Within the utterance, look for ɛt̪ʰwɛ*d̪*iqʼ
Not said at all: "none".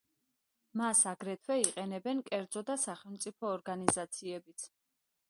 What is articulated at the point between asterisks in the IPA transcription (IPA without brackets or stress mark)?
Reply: none